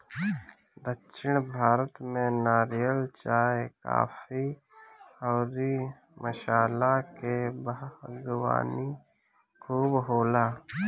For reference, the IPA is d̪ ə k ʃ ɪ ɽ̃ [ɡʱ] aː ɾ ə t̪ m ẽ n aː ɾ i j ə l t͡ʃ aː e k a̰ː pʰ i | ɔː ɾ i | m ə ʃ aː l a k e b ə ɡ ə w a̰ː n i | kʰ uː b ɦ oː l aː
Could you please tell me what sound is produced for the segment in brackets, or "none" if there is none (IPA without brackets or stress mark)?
bʱ